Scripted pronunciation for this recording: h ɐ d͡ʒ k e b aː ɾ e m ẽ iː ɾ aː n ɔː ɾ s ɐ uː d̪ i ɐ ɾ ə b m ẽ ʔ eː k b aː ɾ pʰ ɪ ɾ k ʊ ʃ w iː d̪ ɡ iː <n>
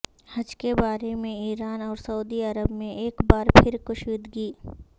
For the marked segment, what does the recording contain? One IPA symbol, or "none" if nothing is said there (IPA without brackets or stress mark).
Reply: none